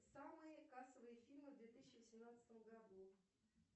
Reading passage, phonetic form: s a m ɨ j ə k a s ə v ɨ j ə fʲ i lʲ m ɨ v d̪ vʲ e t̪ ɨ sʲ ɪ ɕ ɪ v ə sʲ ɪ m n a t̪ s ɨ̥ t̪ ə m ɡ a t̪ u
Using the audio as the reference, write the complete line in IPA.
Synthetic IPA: s a m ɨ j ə k a s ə v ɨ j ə fʲ i lʲ m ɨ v d̪ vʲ e t̪ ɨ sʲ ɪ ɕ ɪ v ə sʲ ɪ m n a t̪ s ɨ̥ t̪ ə m ɡ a d̪ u